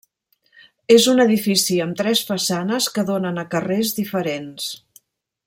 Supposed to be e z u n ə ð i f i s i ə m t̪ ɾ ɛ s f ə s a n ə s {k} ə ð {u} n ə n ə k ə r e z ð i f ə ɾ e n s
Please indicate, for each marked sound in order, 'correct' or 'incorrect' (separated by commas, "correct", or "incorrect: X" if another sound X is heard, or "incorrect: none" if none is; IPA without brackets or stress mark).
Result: correct, incorrect: o